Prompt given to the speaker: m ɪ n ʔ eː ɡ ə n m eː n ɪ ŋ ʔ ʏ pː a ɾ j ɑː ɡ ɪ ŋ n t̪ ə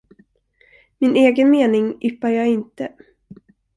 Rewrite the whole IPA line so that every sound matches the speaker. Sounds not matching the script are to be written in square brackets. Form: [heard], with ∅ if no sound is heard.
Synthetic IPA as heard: m ɪ n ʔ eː ɡ ə n m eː n ɪ ŋ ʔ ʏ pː a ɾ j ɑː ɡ ɪ [∅] n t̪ ə